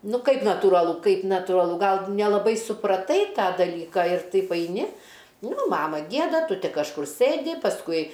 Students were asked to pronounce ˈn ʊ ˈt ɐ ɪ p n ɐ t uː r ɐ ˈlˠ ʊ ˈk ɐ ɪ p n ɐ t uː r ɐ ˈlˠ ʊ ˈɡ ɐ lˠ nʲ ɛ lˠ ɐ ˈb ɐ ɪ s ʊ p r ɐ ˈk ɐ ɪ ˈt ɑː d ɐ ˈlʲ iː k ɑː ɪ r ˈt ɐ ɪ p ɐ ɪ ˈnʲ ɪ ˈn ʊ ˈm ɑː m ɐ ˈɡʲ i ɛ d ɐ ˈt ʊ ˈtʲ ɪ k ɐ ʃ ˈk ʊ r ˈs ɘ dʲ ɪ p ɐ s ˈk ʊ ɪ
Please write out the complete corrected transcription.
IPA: ˈn ʊ ˈk ɐ ɪ p n ɐ t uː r ɐ ˈlˠ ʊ ˈk ɐ ɪ p n ɐ t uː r ɐ ˈlˠ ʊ ˈɡ ɐ lˠ nʲ ɛ lˠ ɐ ˈb ɐ ɪ s ʊ p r ɐ ˈt ɐ ɪ ˈt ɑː d ɐ ˈlʲ iː k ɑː ɪ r ˈt ɐ ɪ p ɐ ɪ ˈnʲ ɪ ˈn ʊ ˈm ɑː m ɐ ˈɡʲ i ɛ d ɐ ˈt ʊ ˈtʲ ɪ k ɐ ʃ ˈk ʊ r ˈs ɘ dʲ ɪ p ɐ s ˈk ʊ ɪ

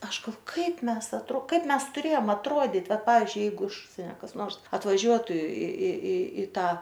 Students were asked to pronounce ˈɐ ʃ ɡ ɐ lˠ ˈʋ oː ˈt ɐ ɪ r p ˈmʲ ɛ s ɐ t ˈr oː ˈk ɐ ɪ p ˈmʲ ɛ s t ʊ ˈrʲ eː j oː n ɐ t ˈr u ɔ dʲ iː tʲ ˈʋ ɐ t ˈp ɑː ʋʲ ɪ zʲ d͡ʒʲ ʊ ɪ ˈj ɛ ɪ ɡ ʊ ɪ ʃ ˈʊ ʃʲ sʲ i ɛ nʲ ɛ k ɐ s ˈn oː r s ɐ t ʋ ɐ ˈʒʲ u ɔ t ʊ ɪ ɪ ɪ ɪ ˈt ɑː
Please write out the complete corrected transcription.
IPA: ˈɐ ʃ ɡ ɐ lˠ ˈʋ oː ˈk ɐ ɪ p ˈmʲ ɛ s ɐ t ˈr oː ˈk ɐ ɪ p ˈmʲ ɛ s t ʊ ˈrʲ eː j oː m ɐ t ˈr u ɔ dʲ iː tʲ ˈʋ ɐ t ˈp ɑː ʋʲ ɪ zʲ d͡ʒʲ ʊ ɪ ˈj ɛ ɪ ɡ ʊ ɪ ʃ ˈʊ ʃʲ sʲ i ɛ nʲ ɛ k ɐ s ˈn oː r s ɐ t ʋ ɐ ˈʒʲ u ɔ t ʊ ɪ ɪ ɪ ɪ ˈt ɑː

